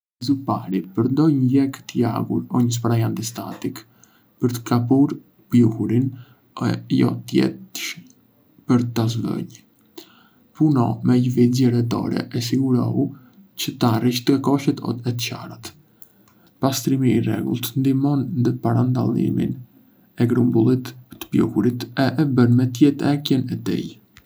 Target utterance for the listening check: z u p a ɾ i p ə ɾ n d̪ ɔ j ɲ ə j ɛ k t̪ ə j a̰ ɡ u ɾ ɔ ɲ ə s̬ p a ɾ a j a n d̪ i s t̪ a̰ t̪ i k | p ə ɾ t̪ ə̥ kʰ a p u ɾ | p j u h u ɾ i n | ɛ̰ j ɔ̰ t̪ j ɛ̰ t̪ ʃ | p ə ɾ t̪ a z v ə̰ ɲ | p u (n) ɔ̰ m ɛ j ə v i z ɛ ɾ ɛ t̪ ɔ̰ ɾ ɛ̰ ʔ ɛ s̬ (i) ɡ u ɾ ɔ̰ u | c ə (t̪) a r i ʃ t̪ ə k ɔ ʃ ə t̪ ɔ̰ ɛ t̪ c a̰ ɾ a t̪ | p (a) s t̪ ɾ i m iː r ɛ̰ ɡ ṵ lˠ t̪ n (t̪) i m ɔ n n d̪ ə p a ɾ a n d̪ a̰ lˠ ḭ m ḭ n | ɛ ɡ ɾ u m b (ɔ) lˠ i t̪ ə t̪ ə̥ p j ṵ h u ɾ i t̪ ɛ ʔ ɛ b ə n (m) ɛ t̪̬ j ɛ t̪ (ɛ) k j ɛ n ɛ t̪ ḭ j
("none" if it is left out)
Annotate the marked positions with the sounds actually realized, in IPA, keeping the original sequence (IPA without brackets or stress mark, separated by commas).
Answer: n, i, t̪, a, d̪, u, m, ɛ